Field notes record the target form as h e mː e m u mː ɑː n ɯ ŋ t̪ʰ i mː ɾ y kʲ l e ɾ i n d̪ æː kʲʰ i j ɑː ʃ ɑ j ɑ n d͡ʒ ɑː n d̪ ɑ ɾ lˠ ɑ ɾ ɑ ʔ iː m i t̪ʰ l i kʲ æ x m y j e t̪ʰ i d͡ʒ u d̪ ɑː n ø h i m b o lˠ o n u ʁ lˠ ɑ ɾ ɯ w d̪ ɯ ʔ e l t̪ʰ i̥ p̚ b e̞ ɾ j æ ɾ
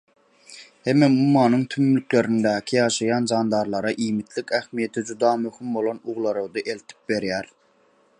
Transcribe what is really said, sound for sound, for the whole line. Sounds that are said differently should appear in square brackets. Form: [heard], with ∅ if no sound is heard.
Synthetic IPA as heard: h e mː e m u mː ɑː n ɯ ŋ t̪ʰ [y] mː [l] y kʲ l e ɾ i n d̪ æː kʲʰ i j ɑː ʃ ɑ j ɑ n d͡ʒ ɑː n d̪ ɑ ɾ lˠ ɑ ɾ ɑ ʔ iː m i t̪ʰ l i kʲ æ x m [i] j e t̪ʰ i d͡ʒ u d̪ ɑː [m] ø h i m b o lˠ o n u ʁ lˠ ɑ ɾ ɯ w d̪ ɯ ʔ e l t̪ʰ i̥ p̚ b e̞ ɾ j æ ɾ